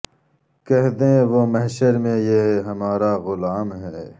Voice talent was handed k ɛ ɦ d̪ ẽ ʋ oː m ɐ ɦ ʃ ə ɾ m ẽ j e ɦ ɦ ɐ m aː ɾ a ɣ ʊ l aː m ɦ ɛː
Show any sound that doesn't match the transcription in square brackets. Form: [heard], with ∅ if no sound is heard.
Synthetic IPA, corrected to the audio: k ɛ ɦ d̪ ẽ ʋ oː m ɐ ɦ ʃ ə ɾ m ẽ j e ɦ ɦ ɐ m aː ɾ a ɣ ʊ l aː m ɦ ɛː